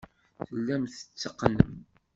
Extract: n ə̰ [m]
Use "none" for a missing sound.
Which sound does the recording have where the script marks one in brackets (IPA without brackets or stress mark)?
m